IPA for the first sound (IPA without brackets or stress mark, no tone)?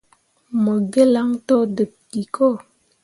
m